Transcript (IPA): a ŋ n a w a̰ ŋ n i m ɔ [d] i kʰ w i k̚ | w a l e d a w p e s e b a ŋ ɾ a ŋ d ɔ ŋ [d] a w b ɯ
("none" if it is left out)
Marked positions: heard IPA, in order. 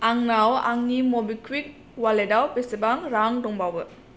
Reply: b, b

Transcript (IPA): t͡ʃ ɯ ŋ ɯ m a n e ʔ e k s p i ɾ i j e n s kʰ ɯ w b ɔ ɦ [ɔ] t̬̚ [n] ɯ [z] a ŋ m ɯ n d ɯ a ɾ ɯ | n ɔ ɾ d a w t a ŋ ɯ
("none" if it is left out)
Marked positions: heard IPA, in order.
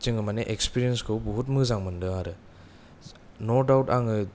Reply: u, m, z

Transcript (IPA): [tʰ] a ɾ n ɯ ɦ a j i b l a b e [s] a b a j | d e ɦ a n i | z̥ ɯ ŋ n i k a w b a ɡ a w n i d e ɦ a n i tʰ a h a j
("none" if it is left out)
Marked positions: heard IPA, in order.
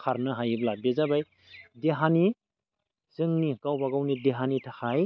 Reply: kʰ, z

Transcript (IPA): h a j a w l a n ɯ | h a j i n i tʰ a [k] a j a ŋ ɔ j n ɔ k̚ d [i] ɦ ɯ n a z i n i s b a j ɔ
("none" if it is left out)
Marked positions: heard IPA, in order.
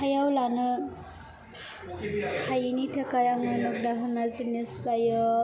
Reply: k, a

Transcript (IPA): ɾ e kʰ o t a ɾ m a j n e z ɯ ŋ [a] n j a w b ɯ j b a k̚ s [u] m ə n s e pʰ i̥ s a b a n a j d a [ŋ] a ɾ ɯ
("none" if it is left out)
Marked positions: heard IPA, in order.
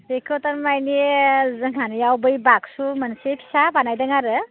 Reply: a, u, ŋ

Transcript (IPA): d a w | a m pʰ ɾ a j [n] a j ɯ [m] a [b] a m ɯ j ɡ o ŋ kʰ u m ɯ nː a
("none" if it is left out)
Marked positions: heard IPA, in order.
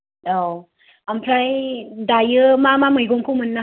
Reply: d, m, m

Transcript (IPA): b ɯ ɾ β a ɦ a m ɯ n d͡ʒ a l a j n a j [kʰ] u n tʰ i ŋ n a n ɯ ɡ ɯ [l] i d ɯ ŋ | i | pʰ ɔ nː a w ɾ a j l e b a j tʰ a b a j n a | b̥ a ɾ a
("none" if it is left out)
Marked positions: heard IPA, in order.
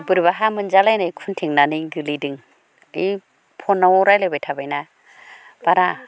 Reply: kʰ, l

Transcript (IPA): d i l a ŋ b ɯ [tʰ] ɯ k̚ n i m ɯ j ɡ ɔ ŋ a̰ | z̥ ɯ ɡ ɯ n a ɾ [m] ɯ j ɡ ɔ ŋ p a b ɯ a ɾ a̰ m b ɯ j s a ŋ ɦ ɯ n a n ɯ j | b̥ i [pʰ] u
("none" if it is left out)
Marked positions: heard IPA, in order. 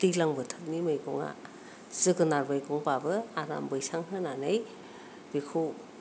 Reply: tʰ, b, kʰ

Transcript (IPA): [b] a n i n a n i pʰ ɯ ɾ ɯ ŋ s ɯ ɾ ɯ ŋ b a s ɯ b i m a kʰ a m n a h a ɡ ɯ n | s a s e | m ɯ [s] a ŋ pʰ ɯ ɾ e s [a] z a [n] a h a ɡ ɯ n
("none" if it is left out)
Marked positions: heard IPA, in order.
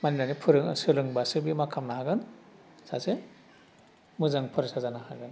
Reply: m, z, a, n

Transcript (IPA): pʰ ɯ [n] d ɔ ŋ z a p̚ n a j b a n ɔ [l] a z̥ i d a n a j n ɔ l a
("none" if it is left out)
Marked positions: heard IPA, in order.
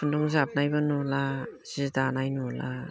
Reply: n, l

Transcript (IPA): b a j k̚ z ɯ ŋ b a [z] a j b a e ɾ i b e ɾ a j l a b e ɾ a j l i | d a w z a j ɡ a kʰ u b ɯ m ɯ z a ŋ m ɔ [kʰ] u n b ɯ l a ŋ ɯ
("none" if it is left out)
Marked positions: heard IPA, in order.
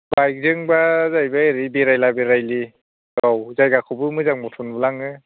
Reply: z, tʰ

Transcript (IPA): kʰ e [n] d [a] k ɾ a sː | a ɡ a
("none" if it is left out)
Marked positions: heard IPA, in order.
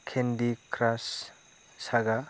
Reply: n, i

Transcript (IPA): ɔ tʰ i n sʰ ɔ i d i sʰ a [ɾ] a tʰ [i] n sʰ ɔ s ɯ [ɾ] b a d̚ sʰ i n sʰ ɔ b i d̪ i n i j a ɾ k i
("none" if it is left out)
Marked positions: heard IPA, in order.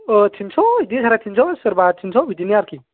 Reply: ɾ, i, ɾ

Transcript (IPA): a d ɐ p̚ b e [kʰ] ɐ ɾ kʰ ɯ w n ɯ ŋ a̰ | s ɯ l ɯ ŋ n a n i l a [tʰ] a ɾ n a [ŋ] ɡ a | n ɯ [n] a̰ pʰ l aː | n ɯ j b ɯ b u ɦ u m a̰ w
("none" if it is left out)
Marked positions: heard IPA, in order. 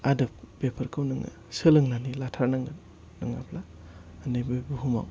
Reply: pʰ, tʰ, ŋ, ŋ

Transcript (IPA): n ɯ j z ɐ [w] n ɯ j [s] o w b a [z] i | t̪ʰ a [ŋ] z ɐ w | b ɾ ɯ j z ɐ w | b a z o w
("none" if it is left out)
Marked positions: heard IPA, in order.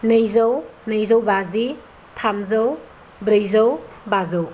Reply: w, z, z, m

